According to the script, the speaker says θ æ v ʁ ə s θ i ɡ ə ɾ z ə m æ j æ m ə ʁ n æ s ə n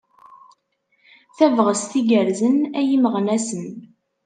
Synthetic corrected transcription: θ æ v ʁ ə s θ i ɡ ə ɾ z ə n æ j i m ə ʁ n æ s ə n